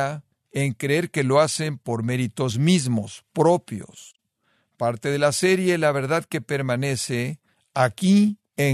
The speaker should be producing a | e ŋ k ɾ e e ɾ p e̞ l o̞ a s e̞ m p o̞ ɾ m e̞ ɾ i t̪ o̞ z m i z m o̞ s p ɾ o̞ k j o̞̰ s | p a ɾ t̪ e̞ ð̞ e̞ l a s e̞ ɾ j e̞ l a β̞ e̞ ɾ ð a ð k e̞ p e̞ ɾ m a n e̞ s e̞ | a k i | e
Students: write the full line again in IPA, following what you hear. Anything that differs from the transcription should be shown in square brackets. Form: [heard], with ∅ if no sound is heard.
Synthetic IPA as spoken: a | e ŋ k ɾ e e ɾ [k] e̞ l o̞ a s e̞ m p o̞ ɾ m e̞ ɾ i t̪ o̞ z m i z m o̞ s p ɾ o̞ [p] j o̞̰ s | p a ɾ t̪ e̞ ð̞ e̞ l a s e̞ ɾ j e̞ l a β̞ e̞ ɾ ð a ð k e̞ p e̞ ɾ m a n e̞ s e̞ | a k i | e